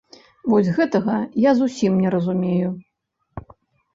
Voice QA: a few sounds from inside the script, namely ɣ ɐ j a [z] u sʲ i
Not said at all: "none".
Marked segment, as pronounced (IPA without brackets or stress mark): z